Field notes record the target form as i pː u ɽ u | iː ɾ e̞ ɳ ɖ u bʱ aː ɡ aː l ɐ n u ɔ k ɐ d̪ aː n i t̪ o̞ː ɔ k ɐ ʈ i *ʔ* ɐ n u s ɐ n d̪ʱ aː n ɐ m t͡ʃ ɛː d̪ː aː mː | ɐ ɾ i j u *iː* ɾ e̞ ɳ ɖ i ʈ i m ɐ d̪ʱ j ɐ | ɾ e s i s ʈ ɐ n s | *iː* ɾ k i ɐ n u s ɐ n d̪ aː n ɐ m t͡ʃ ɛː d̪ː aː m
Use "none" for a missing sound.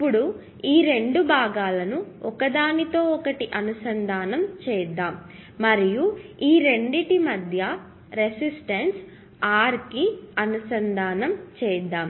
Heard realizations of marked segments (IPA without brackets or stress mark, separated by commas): ʔ, iː, aː